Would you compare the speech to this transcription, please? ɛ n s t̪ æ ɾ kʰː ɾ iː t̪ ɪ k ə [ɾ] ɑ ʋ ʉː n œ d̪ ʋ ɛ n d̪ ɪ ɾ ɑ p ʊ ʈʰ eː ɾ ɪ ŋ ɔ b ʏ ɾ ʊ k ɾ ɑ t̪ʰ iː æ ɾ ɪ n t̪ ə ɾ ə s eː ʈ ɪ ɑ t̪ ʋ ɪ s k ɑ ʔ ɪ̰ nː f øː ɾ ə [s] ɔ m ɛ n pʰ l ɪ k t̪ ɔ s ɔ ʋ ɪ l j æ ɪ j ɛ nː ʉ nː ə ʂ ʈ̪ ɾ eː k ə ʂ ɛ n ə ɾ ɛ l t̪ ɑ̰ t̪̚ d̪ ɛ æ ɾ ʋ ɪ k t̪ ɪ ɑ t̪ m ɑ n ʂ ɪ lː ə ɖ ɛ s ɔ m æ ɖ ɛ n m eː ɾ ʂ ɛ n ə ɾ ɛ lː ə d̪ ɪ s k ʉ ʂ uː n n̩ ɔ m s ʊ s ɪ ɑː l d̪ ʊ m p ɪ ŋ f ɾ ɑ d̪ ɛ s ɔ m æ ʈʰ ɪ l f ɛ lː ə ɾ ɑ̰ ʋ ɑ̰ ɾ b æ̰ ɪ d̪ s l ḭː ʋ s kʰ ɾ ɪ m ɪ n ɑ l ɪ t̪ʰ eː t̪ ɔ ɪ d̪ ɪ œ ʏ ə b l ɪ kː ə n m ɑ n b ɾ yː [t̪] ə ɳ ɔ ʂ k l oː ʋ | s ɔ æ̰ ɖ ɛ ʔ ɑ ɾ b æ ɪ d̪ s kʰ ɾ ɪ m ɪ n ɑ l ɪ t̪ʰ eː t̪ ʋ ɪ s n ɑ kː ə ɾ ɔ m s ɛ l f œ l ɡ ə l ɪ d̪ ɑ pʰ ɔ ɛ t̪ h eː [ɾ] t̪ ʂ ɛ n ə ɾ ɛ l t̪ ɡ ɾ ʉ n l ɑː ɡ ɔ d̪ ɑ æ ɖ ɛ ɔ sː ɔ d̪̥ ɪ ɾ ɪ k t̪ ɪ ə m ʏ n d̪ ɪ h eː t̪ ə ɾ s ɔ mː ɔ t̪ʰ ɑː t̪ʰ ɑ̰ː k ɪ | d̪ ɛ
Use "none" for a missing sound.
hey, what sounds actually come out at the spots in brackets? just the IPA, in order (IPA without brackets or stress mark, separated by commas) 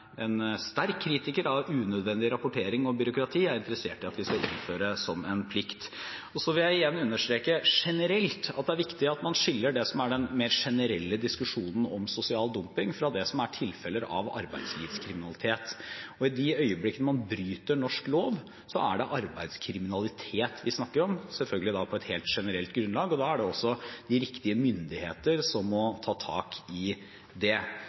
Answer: ɾ, s, t̪, l